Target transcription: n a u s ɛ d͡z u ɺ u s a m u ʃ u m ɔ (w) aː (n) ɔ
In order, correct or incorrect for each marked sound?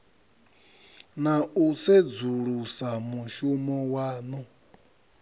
correct, correct

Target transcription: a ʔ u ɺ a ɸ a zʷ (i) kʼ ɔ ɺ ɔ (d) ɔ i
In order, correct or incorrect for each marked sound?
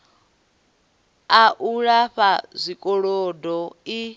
correct, correct

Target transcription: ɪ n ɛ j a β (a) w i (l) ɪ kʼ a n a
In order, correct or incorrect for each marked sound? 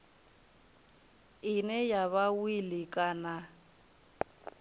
correct, correct

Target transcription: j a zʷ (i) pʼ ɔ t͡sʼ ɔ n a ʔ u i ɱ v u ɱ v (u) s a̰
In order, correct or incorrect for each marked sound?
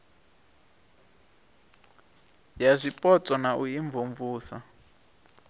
correct, incorrect

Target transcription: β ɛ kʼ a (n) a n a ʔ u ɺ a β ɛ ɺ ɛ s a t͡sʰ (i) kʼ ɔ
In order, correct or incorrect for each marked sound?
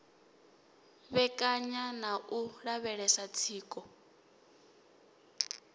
incorrect, incorrect

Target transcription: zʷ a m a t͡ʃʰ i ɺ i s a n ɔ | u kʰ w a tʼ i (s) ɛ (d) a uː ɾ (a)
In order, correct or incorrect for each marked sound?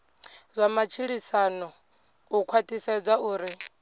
correct, incorrect, incorrect

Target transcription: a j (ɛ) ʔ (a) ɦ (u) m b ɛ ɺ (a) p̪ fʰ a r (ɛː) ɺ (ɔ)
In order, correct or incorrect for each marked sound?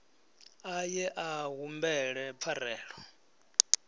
correct, correct, correct, incorrect, correct, correct

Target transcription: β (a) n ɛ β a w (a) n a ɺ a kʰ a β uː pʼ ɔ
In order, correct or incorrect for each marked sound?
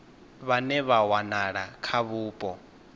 correct, correct

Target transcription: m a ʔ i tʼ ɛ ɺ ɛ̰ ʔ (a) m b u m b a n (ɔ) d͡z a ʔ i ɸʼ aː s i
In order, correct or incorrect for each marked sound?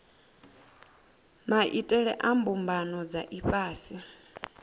correct, correct

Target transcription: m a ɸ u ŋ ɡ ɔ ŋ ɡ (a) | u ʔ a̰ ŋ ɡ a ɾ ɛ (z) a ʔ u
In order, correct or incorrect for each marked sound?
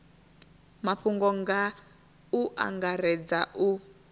correct, incorrect

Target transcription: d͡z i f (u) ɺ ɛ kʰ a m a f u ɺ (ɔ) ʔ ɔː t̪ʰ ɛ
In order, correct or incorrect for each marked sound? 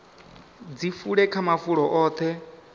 correct, correct

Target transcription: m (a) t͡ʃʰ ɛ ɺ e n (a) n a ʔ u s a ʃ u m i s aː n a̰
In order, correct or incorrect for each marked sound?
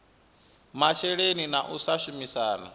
correct, incorrect

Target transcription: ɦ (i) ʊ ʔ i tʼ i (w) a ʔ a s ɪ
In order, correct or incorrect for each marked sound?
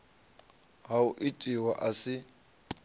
incorrect, correct

